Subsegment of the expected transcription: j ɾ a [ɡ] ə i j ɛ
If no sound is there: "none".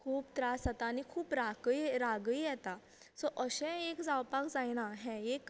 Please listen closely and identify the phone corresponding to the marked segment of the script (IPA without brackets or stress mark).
ɡ